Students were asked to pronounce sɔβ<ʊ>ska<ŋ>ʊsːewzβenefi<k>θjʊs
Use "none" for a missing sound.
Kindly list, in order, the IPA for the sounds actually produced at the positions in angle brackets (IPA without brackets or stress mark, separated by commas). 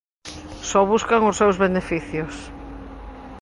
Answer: u, ŋ, none